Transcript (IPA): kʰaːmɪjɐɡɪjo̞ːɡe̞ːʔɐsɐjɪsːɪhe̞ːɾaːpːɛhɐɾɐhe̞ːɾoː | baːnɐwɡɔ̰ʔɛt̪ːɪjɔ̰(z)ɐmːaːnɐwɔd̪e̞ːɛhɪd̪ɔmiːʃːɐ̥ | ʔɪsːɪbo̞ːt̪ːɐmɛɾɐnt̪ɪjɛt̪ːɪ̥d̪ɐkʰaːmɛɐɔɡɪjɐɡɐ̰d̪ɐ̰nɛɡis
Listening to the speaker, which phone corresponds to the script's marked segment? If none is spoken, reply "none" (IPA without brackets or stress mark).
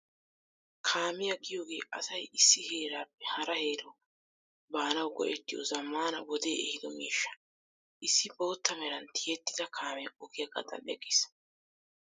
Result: z